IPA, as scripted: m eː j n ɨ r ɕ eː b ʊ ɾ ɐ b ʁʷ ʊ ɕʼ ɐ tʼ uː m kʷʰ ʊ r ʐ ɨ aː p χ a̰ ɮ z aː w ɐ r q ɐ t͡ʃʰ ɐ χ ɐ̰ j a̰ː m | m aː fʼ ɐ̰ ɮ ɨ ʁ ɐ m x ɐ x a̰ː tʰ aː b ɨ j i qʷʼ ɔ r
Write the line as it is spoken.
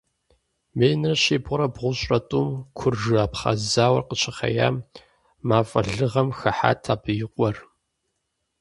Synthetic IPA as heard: m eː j n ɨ r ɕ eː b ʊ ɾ ɐ b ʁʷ ʊ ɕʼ ɐ tʼ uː m kʷʰ ʊ r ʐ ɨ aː p χ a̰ z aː w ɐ r q ə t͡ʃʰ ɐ χ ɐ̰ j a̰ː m | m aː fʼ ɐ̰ ɮ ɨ ʁ ɐ m x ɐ ħ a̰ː tʰ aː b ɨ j ɪ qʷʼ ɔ r